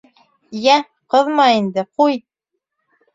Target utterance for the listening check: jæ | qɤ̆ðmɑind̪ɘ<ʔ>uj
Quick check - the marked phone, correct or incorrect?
incorrect